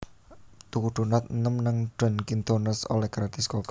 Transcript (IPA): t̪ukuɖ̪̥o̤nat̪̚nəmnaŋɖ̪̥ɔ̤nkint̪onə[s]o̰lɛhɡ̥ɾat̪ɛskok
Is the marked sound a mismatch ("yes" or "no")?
no